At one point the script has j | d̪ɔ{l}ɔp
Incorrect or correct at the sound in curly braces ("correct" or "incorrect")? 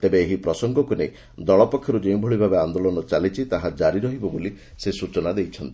incorrect